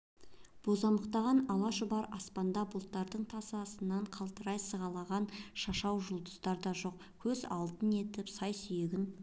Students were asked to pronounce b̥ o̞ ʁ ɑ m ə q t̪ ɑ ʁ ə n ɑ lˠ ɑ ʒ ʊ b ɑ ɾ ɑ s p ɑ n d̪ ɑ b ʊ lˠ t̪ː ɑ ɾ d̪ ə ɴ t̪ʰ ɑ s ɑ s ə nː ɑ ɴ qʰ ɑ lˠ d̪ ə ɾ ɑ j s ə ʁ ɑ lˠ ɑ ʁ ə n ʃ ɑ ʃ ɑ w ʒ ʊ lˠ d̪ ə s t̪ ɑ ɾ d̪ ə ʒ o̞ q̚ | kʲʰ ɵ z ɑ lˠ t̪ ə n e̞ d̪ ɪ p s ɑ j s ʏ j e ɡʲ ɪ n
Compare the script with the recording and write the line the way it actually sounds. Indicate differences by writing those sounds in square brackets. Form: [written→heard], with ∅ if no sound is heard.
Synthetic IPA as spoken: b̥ o̞ [ʁ→z] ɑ m ə q t̪ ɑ ʁ [ə→ɑ] n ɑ lˠ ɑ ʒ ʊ b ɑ ɾ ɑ s p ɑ n d̪ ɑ b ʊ lˠ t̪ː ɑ ɾ d̪ ə ɴ t̪ʰ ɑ s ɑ s ə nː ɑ ɴ qʰ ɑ lˠ [d̪→t̪] ə ɾ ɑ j s ə ʁ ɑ lˠ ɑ ʁ [ə→ɑ] n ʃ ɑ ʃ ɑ w ʒ ʊ lˠ d̪ ə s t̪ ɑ ɾ d̪ [ə→ɑ] ʒ o̞ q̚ | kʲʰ ɵ z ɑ lˠ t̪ ə n e̞ [d̪→t̪] ɪ p s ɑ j s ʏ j e ɡʲ ɪ n